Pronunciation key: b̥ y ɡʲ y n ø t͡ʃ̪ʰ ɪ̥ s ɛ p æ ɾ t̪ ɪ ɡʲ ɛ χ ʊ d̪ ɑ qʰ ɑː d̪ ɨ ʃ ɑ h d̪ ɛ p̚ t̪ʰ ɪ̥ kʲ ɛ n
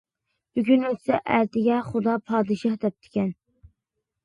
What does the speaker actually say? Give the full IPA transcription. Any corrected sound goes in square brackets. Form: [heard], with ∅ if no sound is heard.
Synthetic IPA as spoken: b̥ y ɡʲ y n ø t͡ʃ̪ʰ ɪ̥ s ɛ [ʔ] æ ɾ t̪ ɪ ɡʲ ɛ χ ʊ d̪ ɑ [pʰ] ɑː d̪ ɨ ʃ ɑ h d̪ ɛ p̚ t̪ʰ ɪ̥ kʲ ɛ n